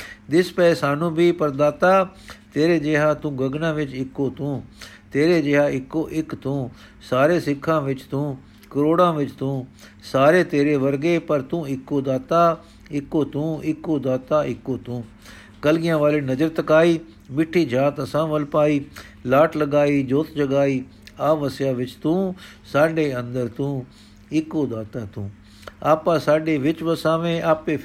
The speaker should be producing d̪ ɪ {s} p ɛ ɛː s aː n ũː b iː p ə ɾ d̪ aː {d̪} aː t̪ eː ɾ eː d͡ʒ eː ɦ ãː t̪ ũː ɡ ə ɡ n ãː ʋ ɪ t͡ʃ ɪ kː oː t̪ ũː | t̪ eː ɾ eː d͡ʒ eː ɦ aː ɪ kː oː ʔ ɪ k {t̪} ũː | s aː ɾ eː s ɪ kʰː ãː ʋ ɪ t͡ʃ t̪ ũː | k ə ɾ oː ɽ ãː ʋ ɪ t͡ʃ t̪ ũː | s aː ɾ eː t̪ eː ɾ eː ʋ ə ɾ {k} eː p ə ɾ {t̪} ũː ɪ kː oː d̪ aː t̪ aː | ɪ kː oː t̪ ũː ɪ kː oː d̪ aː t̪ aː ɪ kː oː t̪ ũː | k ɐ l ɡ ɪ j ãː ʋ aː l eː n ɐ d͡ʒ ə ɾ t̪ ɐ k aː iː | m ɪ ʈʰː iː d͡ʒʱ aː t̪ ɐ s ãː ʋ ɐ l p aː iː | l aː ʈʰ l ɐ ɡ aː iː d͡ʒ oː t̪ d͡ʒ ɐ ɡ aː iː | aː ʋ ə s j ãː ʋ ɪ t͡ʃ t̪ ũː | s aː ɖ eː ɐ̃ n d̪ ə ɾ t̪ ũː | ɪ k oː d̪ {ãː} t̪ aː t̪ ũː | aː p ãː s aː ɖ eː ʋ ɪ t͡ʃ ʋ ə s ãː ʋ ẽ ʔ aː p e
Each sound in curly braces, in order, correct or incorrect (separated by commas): correct, incorrect, correct, incorrect, correct, incorrect